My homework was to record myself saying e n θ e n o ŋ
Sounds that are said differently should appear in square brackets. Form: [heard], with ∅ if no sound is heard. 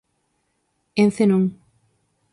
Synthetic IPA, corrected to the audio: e n θ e n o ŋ